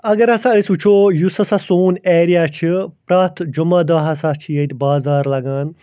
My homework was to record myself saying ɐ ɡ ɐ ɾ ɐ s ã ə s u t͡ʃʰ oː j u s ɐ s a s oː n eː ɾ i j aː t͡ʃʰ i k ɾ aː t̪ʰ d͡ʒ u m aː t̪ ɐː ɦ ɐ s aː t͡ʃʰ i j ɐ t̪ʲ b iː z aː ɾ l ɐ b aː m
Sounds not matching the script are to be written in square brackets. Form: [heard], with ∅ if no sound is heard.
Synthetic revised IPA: ɐ ɡ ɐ ɾ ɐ s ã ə s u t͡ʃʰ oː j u s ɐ s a s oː n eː ɾ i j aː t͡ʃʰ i [p] ɾ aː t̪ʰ d͡ʒ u m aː [d̪] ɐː ɦ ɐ s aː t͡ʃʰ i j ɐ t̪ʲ b [aː] z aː ɾ l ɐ [ɡ] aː [n]